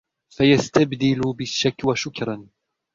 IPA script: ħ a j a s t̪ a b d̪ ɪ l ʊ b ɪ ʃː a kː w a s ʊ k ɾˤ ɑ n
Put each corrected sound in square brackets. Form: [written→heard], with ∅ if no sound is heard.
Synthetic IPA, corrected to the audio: [ħ→f] a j a s t̪ a b d̪ ɪ l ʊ b ɪ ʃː a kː w a [s→ʃ] ʊ k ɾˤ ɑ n